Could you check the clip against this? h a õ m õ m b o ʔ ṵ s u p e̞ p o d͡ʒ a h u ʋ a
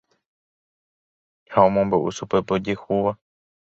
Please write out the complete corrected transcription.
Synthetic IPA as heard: h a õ m õ m b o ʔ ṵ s u p e̞ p o d͡ʒ e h u ʋ a